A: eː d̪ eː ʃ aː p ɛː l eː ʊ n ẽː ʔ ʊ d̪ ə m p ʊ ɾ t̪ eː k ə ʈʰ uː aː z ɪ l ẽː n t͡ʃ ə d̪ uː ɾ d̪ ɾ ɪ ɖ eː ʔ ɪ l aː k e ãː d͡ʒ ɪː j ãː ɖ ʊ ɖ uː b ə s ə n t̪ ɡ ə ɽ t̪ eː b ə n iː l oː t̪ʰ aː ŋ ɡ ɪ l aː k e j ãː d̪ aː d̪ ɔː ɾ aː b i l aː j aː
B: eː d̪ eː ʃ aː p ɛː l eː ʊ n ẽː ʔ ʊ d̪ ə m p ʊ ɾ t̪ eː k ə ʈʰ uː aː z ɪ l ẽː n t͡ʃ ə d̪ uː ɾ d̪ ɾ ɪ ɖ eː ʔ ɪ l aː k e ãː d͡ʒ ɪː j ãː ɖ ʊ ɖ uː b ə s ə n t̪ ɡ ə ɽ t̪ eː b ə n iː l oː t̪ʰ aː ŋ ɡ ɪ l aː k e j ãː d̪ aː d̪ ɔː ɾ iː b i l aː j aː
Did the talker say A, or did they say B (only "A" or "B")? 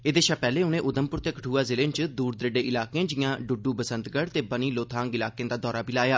A